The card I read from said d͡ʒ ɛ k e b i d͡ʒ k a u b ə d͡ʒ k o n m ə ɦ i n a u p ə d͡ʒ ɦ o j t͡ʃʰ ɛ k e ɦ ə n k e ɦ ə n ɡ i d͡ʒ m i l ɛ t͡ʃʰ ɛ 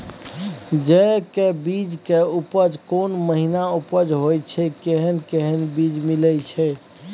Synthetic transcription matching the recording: d͡ʒ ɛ k e b i d͡ʒ k e u p ə d͡ʒ k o n m ə ɦ i n a u p ə d͡ʒ ɦ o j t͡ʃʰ ɛ k e ɦ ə n k e ɦ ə n b i d͡ʒ m i l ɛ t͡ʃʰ ɛ